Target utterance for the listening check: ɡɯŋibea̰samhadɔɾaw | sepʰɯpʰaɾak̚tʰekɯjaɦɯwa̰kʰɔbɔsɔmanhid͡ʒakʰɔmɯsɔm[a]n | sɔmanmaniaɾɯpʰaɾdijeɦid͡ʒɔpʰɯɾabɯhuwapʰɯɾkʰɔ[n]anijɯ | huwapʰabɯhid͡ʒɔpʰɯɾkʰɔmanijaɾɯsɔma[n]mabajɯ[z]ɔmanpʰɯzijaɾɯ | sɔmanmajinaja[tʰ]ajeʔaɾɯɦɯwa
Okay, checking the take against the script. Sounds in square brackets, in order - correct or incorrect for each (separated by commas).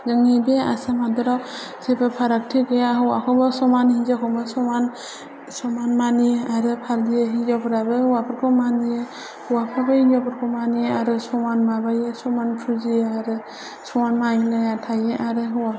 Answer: correct, incorrect, correct, incorrect, correct